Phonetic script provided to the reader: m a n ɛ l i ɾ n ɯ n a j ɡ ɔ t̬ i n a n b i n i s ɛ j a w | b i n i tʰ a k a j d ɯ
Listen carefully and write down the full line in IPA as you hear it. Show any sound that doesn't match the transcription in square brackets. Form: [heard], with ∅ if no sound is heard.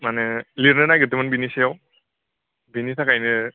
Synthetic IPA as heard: m a n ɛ l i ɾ n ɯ n a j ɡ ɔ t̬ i [m] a n b i n i s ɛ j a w | b i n i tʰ a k a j [n] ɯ